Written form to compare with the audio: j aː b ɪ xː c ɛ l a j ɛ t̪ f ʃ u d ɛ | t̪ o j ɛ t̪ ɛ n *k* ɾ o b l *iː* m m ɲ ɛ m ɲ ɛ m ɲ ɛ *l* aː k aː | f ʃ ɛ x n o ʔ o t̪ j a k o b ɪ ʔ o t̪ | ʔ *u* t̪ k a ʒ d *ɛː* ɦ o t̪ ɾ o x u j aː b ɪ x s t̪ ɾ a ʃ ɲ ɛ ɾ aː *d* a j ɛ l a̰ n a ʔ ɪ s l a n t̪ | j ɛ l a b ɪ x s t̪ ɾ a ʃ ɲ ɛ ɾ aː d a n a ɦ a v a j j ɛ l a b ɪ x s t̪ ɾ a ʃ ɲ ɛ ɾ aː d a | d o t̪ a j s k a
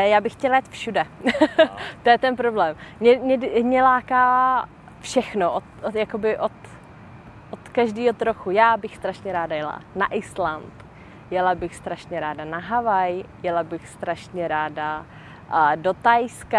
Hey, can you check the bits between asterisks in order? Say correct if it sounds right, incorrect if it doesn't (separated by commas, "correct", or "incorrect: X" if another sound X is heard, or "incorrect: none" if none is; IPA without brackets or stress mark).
incorrect: p, incorrect: ɛː, correct, incorrect: o, incorrect: iː, correct